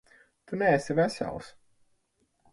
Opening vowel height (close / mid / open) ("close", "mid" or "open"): close